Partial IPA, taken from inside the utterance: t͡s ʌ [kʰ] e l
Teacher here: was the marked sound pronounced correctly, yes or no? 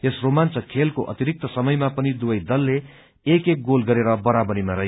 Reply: yes